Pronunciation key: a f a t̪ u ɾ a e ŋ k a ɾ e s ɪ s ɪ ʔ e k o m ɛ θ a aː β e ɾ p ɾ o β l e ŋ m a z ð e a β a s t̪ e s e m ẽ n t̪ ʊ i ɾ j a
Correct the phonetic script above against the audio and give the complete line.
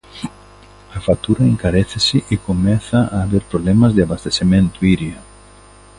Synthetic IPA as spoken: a f a t̪ u ɾ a e ŋ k a ɾ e θ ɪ s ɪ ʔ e k o m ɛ θ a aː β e ɾ p ɾ o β l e m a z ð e a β a s t̪ e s e m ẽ n t̪ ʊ i ɾ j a